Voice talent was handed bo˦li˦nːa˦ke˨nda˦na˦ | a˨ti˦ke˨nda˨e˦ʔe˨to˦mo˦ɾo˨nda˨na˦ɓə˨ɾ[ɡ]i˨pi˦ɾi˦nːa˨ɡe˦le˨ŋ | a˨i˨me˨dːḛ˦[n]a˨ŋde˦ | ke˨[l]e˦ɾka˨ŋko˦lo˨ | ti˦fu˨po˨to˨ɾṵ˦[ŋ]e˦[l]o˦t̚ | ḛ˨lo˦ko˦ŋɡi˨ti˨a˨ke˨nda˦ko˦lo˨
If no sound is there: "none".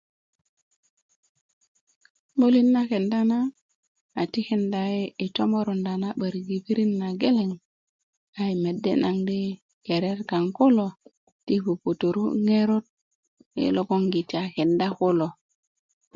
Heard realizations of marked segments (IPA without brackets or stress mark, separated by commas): ɡ, n, ɾ, ŋ, ɾ